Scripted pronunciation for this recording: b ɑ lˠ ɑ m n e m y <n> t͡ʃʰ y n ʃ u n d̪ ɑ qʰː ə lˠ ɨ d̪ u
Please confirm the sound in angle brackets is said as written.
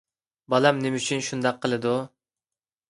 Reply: no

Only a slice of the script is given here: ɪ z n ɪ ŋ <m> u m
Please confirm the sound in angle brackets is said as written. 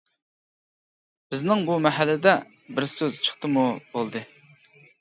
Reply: no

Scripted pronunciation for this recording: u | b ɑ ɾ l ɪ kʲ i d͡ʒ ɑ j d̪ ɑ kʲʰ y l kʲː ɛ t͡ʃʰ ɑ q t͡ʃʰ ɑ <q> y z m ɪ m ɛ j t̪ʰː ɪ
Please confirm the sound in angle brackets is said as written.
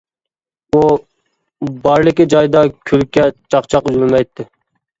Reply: yes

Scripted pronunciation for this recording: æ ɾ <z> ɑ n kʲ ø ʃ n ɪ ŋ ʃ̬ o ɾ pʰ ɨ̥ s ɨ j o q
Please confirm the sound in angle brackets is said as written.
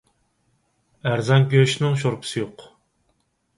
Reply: yes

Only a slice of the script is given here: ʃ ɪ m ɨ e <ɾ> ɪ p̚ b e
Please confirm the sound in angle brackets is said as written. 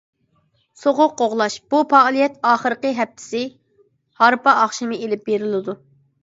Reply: no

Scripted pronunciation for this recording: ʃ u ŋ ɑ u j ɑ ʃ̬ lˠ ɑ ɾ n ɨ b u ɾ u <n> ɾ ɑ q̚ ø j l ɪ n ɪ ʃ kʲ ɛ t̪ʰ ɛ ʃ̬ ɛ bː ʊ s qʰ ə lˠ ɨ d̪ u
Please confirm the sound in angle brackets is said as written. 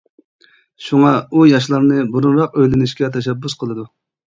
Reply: yes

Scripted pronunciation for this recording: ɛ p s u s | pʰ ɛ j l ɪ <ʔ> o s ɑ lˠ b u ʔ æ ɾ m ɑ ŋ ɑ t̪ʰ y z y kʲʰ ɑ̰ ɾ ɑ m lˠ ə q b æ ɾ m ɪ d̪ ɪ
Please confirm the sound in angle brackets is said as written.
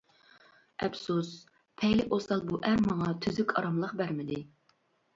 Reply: yes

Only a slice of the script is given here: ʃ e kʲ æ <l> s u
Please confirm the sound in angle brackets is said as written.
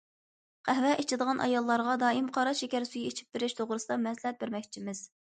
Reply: no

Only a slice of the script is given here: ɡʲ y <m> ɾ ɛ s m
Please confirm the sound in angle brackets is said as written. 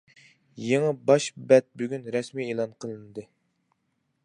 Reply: no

